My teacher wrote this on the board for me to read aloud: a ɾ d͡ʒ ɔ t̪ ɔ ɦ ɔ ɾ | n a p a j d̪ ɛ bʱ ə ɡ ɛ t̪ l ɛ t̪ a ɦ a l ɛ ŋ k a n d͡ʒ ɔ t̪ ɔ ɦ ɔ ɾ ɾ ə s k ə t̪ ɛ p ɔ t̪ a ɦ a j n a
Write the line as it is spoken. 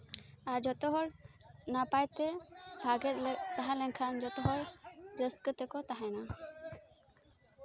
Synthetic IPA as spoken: a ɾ d͡ʒ ɔ t̪ ɔ ɦ ɔ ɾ | n a p a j t̪ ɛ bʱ a ɡ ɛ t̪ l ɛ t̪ a ɦ a l ɛ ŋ kʰ a n d͡ʒ ɔ t̪ ɔ ɦ ɔ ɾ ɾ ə s k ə t̪ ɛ k ɔ t̪ a ɦ a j n a